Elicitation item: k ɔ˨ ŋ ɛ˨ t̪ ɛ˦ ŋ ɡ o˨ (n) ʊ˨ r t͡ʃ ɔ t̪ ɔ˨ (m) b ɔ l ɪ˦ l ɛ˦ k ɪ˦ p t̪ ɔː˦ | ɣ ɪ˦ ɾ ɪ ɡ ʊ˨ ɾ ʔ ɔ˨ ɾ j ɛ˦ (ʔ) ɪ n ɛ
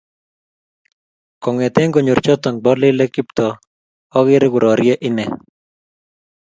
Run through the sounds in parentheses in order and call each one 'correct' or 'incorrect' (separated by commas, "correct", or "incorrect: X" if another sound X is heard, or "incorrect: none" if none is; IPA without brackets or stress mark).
incorrect: ɲ, incorrect: ŋ, correct